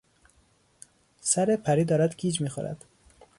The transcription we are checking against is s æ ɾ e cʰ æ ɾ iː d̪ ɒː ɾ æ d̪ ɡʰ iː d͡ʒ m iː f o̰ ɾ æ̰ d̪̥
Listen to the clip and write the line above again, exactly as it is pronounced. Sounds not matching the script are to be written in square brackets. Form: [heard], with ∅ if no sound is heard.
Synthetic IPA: s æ ɾ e [pʰ] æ ɾ iː d̪ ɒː ɾ æ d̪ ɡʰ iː d͡ʒ m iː [x] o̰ ɾ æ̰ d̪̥